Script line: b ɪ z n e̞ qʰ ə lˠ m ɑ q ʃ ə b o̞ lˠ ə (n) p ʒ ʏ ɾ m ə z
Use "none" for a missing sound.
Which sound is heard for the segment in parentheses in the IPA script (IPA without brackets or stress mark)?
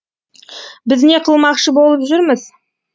none